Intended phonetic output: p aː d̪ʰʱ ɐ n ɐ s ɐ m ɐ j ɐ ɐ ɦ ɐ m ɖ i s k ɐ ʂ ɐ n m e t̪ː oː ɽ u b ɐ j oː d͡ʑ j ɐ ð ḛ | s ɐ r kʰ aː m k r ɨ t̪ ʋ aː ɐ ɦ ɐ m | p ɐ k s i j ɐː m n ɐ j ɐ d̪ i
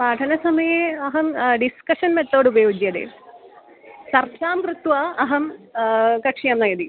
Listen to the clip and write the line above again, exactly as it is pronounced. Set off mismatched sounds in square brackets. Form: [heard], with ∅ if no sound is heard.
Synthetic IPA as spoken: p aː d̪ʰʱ ɐ n ɐ s ɐ m ɐ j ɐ ɐ ɦ ɐ m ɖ i s k ɐ ʂ ɐ n m e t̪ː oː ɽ u b ɐ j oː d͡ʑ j ɐ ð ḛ | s ɐ r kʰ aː m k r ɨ t̪ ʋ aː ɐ ɦ ɐ m | [k] ɐ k [ʂ] i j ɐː m n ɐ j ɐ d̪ i